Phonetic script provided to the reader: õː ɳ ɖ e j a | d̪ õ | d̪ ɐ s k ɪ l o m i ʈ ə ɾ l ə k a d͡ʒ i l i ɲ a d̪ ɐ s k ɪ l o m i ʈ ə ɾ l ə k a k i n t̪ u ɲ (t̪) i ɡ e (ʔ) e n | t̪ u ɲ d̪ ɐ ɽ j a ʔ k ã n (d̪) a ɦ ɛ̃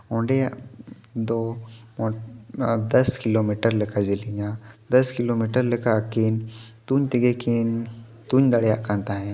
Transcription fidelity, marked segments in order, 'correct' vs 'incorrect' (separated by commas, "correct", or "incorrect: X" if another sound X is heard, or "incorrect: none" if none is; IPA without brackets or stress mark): correct, incorrect: k, incorrect: t̪